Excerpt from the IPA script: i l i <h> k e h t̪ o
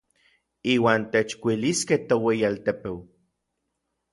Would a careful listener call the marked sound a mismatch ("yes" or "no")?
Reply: yes